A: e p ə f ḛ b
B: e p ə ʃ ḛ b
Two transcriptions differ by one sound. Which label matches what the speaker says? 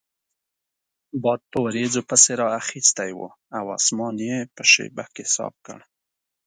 B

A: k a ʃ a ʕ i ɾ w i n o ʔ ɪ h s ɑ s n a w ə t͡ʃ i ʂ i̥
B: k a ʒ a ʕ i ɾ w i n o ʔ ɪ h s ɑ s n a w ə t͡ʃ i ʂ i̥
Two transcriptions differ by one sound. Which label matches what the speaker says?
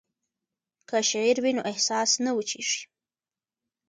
A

